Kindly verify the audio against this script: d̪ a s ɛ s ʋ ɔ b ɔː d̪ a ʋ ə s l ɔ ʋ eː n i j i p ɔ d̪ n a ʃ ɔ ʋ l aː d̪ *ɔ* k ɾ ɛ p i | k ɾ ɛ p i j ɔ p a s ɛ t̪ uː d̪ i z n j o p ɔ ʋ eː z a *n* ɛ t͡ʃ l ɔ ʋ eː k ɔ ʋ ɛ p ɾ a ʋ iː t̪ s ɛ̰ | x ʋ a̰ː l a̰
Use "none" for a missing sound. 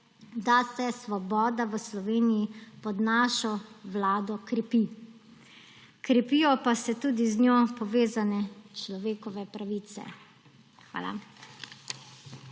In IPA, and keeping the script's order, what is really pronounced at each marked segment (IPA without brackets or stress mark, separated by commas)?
ɔ, n